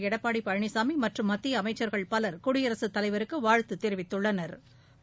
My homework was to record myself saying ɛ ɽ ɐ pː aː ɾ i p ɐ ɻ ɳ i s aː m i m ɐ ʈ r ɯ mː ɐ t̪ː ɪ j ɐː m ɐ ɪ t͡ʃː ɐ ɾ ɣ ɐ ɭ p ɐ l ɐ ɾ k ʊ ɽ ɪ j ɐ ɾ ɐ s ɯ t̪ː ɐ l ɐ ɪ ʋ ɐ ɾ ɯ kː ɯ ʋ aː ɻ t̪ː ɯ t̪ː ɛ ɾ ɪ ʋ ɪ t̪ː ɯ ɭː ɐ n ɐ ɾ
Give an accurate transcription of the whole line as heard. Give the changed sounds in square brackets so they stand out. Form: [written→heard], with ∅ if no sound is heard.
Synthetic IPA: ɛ ɽ ɐ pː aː [ɾ→ɽ] i p ɐ ɻ ɳ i s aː m i m ɐ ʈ r ɯ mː ɐ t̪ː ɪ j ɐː m ɐ ɪ t͡ʃː ɐ ɾ ɣ ɐ ɭ p ɐ l ɐ ɾ k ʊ ɽ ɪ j ɐ ɾ ɐ s ɯ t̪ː ɐ l ɐ ɪ ʋ ɐ ɾ ɯ kː ɯ ʋ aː ɻ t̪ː ɯ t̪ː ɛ ɾ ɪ ʋ ɪ t̪ː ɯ ɭː ɐ n ɐ ɾ